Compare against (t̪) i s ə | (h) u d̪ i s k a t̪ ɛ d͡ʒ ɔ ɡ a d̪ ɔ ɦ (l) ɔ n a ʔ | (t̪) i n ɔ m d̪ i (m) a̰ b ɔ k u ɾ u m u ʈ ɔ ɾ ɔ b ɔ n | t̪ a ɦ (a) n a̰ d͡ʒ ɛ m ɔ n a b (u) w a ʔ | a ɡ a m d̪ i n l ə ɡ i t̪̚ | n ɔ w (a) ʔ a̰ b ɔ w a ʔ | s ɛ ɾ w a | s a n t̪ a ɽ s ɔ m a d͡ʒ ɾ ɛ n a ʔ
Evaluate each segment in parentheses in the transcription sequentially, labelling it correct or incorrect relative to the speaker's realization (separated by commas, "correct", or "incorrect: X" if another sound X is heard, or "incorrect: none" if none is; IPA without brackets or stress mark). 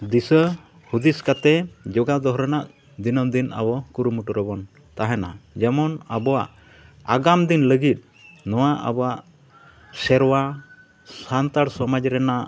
incorrect: d̪, correct, incorrect: ɾ, incorrect: d̪, incorrect: n, incorrect: ɛ, incorrect: ɔ, correct